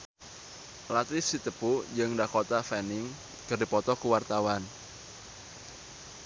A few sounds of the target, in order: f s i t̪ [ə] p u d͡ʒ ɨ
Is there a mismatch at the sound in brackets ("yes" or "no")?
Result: no